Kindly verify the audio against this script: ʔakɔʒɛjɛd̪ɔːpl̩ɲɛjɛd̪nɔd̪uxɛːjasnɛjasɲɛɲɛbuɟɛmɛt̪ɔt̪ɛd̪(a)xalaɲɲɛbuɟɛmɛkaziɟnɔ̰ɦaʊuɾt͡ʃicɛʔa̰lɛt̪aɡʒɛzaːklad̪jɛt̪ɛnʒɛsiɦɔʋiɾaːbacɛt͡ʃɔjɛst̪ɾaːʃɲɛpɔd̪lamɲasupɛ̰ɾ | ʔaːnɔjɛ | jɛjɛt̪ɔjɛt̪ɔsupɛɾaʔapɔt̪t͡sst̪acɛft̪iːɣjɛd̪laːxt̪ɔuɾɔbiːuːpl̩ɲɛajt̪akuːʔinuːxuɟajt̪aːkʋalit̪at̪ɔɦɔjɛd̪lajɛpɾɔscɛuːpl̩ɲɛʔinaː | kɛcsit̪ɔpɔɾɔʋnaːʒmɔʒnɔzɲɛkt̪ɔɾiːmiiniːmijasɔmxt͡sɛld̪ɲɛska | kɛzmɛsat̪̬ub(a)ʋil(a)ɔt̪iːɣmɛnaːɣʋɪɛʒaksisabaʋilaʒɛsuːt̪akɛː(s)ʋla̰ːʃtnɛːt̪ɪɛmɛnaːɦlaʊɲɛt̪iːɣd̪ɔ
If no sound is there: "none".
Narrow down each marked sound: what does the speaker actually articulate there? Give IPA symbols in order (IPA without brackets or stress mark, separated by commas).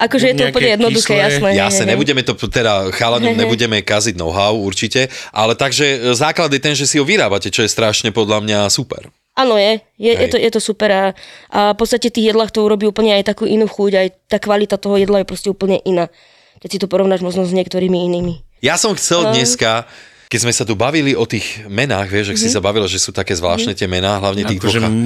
a, a, i, z